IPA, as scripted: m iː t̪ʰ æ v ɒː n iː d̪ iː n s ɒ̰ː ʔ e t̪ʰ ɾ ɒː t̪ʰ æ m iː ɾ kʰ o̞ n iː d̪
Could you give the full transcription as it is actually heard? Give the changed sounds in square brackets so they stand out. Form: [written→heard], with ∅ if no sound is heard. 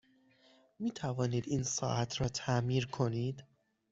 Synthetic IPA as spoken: m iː t̪ʰ æ v ɒː n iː d̪ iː n s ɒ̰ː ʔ [e→æ] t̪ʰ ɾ ɒː t̪ʰ æ m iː ɾ kʰ o̞ n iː d̪